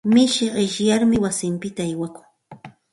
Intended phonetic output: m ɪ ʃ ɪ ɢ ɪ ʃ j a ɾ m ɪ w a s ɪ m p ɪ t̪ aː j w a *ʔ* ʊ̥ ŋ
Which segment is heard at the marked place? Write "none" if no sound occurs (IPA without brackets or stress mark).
k